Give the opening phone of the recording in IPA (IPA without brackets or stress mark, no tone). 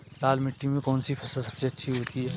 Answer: l